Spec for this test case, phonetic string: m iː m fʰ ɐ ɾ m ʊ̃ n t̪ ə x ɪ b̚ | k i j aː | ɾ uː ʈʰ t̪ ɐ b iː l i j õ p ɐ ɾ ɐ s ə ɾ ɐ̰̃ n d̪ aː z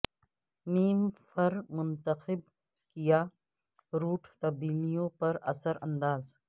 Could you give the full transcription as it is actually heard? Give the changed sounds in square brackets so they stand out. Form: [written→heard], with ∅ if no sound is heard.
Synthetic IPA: m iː m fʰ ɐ ɾ m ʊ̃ n t̪ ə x ɪ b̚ | k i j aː | ɾ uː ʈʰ t̪ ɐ b iː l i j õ p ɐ ɾ ɐ s ə ɾ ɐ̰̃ n d̪ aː z